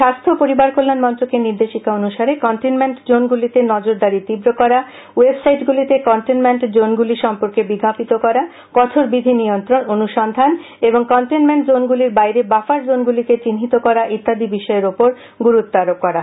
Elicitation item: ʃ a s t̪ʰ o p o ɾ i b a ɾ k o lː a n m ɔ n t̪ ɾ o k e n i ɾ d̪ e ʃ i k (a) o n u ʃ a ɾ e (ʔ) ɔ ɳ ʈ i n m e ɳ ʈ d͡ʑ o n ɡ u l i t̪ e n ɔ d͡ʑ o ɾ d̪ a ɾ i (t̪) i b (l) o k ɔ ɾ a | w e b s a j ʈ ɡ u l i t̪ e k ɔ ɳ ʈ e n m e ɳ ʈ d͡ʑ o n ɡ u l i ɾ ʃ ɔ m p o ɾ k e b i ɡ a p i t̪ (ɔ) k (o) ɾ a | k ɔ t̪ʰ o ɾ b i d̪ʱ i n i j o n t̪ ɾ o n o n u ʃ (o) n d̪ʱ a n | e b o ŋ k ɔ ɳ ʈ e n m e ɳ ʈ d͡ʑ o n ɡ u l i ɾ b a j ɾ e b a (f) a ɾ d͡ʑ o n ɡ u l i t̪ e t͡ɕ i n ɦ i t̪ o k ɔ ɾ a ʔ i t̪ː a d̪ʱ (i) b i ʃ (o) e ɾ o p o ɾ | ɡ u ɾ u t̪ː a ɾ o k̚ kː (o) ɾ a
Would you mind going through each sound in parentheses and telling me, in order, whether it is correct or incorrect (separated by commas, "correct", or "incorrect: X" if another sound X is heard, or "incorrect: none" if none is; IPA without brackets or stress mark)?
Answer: correct, incorrect: k, correct, incorrect: ɾ, incorrect: o, incorrect: ɔ, incorrect: ɔ, correct, correct, incorrect: ɔ, incorrect: ɔ